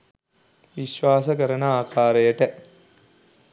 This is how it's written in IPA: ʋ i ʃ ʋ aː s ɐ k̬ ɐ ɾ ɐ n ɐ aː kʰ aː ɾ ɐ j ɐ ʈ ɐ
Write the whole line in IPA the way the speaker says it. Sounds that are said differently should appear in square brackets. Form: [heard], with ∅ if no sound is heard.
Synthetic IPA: ʋ i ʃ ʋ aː s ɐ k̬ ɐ ɾ ɐ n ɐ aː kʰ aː ɾ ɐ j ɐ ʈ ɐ